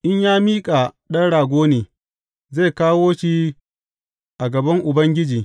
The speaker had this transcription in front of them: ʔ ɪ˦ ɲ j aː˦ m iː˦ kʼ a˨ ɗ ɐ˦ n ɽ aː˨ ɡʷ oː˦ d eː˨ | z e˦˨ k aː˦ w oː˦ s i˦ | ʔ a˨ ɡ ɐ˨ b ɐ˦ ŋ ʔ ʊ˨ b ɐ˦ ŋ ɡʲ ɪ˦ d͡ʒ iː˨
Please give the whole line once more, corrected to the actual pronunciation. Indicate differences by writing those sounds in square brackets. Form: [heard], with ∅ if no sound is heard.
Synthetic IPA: ʔ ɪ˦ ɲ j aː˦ m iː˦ kʼ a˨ ɗ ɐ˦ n ɽ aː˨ ɡʷ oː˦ [n] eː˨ | z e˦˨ k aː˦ w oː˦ [ʃ] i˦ | ʔ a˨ ɡ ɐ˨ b ɐ˦ ŋ ʔ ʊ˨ b ɐ˦ ŋ ɡʲ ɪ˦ d͡ʒ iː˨